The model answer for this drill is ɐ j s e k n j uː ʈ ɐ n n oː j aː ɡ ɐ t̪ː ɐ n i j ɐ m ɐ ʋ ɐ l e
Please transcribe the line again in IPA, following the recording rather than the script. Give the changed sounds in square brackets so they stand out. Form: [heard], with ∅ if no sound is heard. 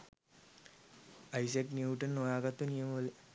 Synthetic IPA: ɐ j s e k n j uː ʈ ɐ n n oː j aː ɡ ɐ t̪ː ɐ n i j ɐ m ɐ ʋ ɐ l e